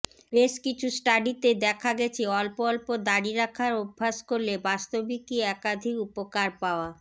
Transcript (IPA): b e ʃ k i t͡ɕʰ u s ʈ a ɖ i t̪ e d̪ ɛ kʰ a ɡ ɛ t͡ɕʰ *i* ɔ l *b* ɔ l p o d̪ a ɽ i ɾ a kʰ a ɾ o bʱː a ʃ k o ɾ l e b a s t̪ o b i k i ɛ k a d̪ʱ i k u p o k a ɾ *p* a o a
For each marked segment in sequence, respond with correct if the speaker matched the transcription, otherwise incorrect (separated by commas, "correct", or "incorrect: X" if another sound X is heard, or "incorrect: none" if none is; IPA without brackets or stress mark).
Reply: incorrect: e, incorrect: p, correct